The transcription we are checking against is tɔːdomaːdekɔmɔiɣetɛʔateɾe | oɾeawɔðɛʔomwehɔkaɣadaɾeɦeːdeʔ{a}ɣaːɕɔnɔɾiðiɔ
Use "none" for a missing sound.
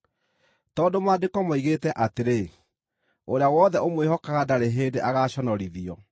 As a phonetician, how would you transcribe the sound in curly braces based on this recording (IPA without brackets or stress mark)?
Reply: a